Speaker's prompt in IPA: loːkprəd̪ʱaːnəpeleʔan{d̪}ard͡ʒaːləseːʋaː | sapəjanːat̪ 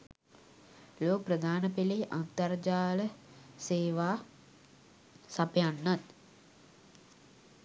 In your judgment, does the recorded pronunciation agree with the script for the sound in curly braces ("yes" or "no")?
no